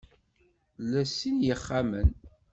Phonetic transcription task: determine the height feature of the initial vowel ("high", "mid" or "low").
low